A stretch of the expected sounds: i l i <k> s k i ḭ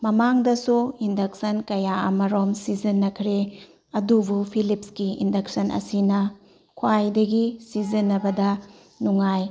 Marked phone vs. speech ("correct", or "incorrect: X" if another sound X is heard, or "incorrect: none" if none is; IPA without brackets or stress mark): incorrect: p